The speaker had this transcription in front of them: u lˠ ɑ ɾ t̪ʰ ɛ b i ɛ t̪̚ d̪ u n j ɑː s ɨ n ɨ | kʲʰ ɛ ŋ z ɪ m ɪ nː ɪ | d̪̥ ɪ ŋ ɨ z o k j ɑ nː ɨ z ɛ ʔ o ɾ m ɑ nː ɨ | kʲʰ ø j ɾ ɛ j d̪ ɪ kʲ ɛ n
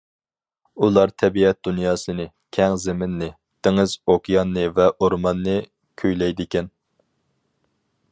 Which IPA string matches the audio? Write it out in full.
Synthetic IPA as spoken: u lˠ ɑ ɾ t̪ʰ ɛ b i ɛ t̪̚ d̪ u n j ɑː s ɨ n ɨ | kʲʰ ɛ ŋ z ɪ m ɪ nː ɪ | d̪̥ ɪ ŋ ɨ z o k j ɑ nː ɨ v ɛ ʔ o ɾ m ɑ nː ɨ | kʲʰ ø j l ɛ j d̪ ɪ kʲ ɛ n